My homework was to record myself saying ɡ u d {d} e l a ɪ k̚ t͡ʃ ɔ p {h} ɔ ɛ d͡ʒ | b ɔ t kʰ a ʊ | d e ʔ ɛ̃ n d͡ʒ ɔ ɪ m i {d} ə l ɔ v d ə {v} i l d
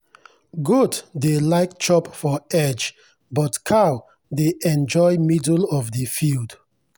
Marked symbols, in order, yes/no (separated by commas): yes, no, yes, no